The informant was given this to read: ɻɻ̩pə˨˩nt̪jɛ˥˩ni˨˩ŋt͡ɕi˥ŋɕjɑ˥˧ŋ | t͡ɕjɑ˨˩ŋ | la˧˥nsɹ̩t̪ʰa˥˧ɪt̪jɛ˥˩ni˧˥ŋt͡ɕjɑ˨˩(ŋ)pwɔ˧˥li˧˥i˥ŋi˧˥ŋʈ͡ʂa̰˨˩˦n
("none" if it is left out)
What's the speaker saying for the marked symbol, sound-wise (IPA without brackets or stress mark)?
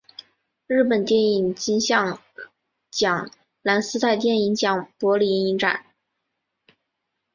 ŋ